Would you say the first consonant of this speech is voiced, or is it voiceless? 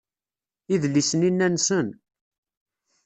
voiced